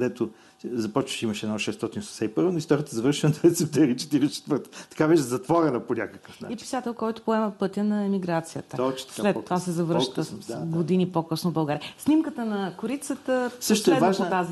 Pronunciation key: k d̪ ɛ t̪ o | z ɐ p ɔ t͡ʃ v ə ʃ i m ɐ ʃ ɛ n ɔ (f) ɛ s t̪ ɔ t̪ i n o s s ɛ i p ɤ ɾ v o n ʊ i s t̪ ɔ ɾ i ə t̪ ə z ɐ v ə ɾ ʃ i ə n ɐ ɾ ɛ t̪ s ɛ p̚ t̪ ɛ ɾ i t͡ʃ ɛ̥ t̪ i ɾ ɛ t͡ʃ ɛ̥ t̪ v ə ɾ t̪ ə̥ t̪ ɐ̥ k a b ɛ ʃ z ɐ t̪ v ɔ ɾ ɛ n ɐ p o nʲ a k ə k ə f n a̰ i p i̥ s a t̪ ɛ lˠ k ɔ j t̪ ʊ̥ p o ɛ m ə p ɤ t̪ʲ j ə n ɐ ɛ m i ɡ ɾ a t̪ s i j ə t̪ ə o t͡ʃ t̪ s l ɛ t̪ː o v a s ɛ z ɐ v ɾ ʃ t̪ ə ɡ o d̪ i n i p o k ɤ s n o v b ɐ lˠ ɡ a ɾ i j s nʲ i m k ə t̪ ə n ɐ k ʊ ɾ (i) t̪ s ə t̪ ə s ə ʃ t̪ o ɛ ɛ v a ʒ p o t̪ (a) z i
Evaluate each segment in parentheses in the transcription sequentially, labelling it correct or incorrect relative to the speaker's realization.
incorrect: ʃ, correct, correct

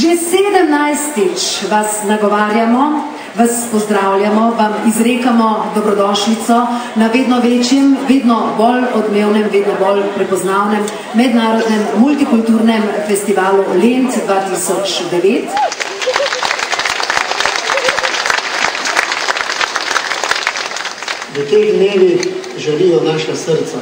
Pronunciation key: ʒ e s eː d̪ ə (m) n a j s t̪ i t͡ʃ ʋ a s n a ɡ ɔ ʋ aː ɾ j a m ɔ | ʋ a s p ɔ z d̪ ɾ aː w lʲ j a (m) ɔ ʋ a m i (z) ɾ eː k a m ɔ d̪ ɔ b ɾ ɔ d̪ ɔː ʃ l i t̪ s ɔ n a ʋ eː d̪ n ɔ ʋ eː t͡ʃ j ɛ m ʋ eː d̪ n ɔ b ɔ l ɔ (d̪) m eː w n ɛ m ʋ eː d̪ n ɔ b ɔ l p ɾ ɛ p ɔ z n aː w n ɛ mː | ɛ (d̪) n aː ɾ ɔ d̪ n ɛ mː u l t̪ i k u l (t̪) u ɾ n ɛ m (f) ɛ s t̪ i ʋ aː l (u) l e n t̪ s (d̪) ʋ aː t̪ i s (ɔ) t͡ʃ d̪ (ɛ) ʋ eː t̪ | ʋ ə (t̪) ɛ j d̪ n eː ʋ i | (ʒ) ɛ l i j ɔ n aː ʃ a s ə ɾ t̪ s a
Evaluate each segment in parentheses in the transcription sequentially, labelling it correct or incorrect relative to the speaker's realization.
correct, correct, correct, correct, correct, correct, correct, correct, correct, correct, correct, correct, correct

